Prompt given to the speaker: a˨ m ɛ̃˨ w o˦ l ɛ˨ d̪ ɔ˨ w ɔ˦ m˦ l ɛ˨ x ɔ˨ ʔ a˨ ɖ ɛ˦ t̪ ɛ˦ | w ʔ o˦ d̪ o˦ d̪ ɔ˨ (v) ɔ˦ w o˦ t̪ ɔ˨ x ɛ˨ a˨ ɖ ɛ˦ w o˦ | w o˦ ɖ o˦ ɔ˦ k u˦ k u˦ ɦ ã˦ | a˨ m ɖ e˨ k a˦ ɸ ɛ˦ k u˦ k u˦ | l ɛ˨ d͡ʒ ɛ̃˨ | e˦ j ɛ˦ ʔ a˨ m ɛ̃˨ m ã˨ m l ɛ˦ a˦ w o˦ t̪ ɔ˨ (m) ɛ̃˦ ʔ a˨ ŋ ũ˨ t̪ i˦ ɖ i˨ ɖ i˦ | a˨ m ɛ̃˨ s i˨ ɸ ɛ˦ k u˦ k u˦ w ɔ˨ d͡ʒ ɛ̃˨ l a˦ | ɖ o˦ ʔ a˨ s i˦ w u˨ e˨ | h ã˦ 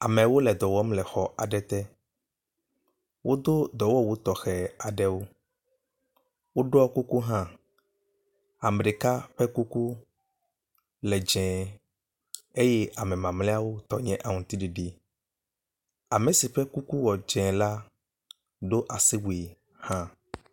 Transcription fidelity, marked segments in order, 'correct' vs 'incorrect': incorrect: w, incorrect: ɲ

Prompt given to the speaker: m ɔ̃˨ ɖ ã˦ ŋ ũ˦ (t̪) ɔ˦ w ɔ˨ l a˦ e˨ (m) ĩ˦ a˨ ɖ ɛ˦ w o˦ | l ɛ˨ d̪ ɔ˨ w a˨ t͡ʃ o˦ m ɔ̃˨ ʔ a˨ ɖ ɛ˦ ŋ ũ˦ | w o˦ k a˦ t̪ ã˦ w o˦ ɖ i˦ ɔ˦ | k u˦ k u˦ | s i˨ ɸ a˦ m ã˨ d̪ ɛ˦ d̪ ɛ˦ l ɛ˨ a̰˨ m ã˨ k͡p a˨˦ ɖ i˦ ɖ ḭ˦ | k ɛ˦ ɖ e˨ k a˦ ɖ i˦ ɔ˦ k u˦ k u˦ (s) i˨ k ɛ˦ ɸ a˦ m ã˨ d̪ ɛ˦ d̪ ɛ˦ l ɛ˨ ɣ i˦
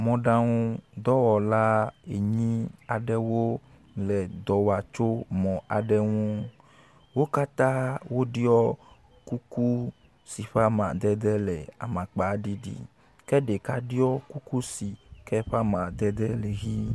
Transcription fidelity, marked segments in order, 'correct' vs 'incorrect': incorrect: d̪, incorrect: ɲ, correct

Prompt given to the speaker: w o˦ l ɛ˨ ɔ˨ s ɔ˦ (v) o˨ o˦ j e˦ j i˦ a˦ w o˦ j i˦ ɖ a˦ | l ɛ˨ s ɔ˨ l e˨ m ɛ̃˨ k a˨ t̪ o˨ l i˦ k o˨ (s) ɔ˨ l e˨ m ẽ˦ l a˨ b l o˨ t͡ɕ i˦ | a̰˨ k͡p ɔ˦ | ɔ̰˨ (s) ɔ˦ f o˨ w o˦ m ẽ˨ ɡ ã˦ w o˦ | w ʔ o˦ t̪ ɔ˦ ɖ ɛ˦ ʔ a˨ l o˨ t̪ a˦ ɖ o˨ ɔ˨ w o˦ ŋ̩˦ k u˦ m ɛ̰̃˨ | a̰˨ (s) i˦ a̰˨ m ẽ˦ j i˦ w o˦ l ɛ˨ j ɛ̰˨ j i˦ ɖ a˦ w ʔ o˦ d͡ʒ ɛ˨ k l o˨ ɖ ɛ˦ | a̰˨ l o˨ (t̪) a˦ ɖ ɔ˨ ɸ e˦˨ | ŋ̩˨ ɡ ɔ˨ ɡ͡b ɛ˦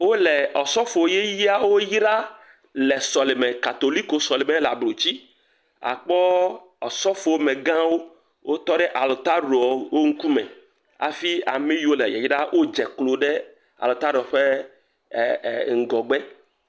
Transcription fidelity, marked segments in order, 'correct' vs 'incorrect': incorrect: f, correct, correct, incorrect: f, correct

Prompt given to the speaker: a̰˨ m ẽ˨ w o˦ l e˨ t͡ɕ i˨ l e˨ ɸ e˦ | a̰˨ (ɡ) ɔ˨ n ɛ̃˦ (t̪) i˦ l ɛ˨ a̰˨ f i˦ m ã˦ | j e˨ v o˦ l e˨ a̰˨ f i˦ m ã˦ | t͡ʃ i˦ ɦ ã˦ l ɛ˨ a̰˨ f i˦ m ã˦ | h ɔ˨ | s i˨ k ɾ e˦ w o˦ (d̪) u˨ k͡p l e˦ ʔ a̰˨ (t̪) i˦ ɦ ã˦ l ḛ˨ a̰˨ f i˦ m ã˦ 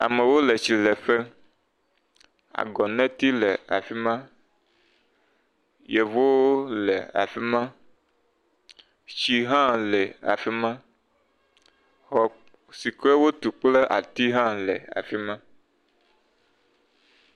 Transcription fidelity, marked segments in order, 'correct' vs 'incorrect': correct, correct, incorrect: t̪, correct

